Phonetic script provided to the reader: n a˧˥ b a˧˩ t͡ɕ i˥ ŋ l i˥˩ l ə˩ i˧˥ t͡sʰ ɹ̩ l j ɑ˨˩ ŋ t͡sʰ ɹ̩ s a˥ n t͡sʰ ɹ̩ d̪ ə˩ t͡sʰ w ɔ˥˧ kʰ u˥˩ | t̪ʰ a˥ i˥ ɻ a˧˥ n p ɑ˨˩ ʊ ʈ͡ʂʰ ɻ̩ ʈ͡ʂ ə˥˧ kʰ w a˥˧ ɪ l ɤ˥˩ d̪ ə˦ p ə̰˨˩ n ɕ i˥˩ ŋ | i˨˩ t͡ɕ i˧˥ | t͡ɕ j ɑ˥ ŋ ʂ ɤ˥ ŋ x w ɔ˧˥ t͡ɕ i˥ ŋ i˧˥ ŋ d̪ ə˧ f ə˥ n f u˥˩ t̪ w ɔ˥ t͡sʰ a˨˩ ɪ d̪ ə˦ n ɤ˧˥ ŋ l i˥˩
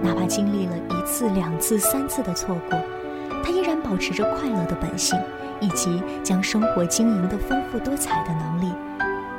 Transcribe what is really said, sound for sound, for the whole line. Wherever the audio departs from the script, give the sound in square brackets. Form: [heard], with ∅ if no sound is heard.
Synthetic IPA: n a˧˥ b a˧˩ t͡ɕ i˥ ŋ l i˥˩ l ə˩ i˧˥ t͡sʰ ɹ̩ l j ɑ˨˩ ŋ t͡sʰ ɹ̩ s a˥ n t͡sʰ ɹ̩ d̪ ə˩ t͡sʰ w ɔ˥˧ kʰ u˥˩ | t̪ʰ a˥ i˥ ɻ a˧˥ n p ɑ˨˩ ʊ ʈ͡ʂʰ ɻ̩ ʈ͡ʂ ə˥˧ kʰ w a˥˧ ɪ l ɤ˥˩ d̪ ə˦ p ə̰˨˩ n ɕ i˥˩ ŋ | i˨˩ t͡ɕ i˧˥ | t͡ɕ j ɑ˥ ŋ ʂ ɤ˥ ŋ x w ɔ˧˥ t͡ɕ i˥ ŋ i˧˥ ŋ d̪ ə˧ f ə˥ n f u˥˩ t̪ w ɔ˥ t͡sʰ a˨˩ ɪ d̪ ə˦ n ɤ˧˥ ŋ l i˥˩